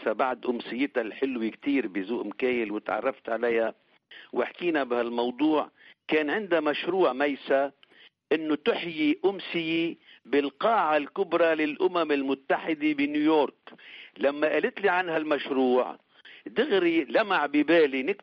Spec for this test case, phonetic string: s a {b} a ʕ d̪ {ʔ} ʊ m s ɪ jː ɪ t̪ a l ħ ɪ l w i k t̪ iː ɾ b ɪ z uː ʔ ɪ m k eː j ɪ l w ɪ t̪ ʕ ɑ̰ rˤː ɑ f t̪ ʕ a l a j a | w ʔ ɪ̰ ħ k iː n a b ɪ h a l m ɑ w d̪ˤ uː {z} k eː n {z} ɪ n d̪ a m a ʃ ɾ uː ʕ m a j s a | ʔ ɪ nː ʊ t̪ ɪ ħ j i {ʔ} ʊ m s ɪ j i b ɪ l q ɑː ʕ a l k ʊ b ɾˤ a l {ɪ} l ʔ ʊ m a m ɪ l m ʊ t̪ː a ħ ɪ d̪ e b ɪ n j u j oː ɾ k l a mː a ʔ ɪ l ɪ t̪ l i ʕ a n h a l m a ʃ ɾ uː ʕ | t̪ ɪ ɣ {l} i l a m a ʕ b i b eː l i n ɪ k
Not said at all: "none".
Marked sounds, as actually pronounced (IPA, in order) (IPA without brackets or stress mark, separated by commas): b, ʔ, ʕ, ʕ, ʔ, ɪ, ɾ